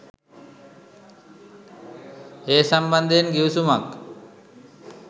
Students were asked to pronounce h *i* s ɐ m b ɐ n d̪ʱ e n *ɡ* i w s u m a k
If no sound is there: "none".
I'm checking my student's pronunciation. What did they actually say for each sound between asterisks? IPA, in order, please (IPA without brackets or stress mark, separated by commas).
e, ɡ